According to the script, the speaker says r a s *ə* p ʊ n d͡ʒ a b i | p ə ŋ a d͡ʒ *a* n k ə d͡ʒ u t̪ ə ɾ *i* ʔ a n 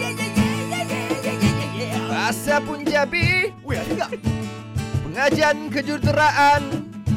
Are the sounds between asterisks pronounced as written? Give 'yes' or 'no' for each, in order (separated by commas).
no, yes, no